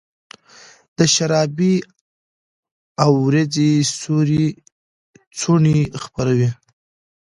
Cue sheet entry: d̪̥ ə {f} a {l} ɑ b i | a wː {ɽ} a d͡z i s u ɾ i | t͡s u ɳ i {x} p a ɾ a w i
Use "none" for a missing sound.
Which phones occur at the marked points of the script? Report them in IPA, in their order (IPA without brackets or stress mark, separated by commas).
ʃ, ɾ, ɾ, x